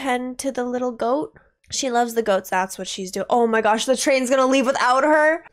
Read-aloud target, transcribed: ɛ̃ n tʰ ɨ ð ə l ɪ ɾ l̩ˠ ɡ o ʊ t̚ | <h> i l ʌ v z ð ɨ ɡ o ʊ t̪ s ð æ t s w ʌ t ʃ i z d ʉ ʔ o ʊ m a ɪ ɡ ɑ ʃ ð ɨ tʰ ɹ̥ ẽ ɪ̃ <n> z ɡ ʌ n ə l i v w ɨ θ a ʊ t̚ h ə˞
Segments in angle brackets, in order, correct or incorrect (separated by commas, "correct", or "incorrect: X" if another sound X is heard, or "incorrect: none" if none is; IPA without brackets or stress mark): incorrect: ʃ, correct